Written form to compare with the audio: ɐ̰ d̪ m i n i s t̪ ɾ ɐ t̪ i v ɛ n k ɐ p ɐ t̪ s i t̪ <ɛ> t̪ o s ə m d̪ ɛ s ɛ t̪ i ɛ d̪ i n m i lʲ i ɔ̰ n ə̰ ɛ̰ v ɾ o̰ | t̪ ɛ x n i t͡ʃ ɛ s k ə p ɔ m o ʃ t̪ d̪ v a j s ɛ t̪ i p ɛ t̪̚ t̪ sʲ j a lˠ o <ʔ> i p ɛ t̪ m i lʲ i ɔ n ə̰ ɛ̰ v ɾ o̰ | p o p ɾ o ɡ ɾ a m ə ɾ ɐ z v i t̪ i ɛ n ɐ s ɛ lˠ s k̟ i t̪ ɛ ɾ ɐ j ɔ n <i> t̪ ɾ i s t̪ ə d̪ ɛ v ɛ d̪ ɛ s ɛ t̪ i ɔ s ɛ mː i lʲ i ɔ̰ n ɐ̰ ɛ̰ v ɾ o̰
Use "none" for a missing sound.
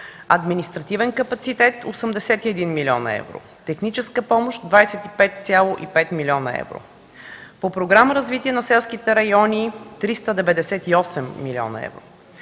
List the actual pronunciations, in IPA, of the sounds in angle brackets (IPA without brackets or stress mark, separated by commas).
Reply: ɛ, ʔ, i